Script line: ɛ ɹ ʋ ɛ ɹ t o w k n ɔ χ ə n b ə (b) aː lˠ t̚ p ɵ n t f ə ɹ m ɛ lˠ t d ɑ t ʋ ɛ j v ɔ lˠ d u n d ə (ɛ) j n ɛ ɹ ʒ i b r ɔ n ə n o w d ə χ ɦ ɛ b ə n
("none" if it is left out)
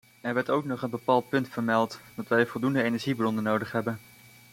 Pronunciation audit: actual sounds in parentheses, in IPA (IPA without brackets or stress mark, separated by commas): p, e